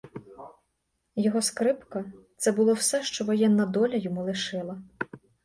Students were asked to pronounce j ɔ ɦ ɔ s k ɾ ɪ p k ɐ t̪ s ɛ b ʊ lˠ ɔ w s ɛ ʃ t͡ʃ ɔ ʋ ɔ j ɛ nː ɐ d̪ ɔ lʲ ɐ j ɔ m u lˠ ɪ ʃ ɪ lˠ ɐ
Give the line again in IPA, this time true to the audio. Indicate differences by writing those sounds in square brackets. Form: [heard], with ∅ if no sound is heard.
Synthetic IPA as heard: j ɔ ɦ ɔ s k ɾ ɪ p k ɐ t̪ s ɛ b ʊ lˠ ɔ w s ɛ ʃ t͡ʃ ɔ ʋ ɔ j ɛ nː ɐ d̪ ɔ lʲ ɐ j ɔ m u lˠ ɪ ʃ ɪ lˠ ɐ

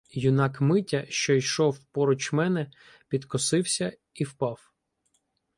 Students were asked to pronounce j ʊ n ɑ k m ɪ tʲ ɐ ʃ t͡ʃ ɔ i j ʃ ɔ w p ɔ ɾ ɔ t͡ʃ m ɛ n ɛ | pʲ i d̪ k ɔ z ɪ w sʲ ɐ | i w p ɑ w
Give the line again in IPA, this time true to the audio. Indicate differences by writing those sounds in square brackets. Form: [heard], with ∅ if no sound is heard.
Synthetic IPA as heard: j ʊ n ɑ k m ɪ tʲ ɐ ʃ t͡ʃ ɔ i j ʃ ɔ w p ɔ ɾ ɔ t͡ʃ m ɛ n ɛ | pʲ i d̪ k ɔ [s] ɪ w sʲ ɐ | i w p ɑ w

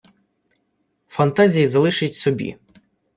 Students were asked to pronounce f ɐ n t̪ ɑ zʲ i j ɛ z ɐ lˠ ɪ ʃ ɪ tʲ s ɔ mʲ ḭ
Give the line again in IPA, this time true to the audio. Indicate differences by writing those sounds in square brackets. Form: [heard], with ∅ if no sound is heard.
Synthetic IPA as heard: f ɐ n t̪ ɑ zʲ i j [i] z ɐ lˠ ɪ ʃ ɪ tʲ s ɔ [bʲ] ḭ

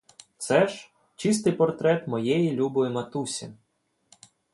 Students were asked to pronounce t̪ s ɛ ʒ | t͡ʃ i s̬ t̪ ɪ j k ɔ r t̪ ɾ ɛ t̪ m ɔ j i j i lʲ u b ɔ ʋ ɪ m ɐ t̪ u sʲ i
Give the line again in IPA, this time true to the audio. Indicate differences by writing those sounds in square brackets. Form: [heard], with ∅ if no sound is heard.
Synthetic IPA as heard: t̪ s ɛ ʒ | t͡ʃ i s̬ t̪ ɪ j [p] ɔ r t̪ ɾ ɛ t̪ m ɔ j [ɛ] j i lʲ u b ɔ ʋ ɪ m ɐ t̪ u sʲ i

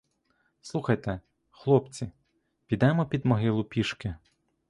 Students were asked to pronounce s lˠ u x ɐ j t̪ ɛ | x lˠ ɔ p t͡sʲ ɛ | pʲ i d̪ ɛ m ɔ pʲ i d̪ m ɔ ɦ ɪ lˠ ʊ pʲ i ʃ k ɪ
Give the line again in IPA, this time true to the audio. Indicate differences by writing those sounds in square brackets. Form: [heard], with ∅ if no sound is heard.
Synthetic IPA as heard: s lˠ u x ɐ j t̪ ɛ | x lˠ ɔ p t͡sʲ [i] | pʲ i d̪ ɛ m ɔ pʲ i d̪ m ɔ ɦ ɪ lˠ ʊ pʲ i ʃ k ɪ

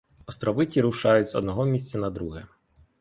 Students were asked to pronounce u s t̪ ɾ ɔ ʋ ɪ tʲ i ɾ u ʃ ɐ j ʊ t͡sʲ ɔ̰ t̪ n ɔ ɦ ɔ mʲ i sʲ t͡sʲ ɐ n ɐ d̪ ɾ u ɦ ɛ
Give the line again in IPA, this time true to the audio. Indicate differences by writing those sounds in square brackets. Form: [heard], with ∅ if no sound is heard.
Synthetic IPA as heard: [ɔ] s t̪ ɾ ɔ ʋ ɪ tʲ i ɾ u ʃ [ɑ] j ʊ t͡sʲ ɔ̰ [d̪] n ɔ ɦ ɔ mʲ i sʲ t͡sʲ ɐ n ɐ d̪ ɾ u ɦ ɛ

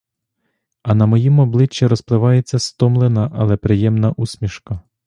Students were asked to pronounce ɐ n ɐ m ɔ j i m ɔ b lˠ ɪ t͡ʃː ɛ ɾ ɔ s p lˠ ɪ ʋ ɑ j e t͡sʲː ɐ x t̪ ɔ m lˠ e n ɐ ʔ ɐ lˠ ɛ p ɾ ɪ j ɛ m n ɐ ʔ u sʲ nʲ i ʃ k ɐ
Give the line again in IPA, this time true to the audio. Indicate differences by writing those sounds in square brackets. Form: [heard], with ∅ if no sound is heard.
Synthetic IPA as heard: ɐ n ɐ m ɔ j i m ɔ b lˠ ɪ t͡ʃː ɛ ɾ ɔ s p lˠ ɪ ʋ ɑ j e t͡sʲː ɐ [s] t̪ ɔ m lˠ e n ɐ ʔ ɐ lˠ ɛ p ɾ ɪ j ɛ m n ɐ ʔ u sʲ [mʲ] i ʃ k ɐ

